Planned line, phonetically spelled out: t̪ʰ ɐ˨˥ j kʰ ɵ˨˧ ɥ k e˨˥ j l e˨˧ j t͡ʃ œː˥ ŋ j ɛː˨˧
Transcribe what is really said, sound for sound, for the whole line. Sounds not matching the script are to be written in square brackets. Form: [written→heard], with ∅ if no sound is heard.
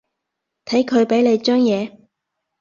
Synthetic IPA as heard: t̪ʰ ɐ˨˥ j kʰ ɵ˨˧ ɥ [k→p] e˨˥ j l e˨˧ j t͡ʃ œː˥ ŋ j ɛː˨˧